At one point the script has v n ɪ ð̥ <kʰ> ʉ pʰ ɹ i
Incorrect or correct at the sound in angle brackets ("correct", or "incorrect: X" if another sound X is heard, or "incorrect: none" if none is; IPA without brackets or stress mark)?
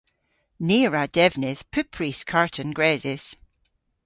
incorrect: pʰ